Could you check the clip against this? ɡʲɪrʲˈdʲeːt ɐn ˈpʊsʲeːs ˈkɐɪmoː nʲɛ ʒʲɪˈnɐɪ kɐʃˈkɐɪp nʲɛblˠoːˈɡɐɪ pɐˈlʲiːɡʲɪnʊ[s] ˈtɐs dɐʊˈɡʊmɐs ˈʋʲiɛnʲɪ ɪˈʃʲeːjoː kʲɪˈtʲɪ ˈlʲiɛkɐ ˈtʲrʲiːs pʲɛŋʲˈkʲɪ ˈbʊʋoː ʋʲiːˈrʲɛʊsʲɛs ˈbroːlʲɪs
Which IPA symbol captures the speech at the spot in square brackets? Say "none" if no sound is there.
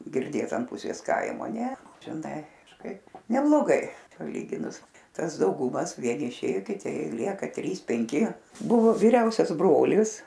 s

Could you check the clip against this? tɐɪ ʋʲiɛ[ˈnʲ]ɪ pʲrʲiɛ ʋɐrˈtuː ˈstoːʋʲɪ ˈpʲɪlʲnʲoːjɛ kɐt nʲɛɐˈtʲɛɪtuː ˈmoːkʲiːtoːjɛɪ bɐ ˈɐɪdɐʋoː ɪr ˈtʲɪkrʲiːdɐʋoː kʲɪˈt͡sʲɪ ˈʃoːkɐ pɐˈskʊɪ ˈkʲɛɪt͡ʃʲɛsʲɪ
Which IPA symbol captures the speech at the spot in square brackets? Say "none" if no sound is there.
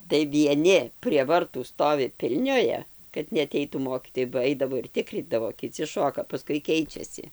nʲ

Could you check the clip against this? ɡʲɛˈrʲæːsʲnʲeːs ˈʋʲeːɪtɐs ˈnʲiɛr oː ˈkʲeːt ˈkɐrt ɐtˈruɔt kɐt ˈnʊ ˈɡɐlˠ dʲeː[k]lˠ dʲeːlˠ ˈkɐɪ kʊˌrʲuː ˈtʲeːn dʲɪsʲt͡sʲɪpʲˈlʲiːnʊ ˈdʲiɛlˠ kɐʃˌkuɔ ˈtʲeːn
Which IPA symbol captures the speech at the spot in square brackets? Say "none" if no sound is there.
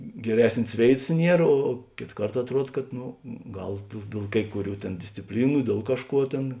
none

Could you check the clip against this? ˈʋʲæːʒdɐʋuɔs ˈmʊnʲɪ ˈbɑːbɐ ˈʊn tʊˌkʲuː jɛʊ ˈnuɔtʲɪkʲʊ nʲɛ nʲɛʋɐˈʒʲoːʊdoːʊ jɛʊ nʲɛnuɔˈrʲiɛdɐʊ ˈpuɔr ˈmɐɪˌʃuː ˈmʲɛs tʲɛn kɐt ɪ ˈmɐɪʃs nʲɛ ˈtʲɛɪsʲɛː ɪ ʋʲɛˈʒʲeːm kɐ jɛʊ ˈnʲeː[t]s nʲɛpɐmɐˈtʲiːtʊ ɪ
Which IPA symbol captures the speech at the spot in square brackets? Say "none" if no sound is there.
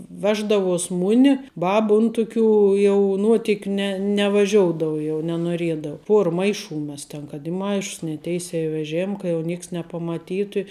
k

